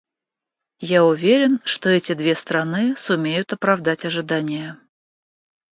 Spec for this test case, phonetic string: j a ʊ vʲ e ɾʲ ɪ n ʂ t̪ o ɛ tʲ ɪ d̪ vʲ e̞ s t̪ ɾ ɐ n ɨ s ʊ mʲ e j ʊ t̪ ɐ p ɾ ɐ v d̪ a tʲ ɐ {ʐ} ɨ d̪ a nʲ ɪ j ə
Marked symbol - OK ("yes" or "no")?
yes